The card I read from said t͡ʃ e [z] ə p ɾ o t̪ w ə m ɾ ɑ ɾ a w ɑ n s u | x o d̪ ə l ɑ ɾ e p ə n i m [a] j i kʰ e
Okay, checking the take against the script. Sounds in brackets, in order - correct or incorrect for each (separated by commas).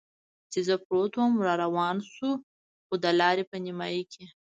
correct, incorrect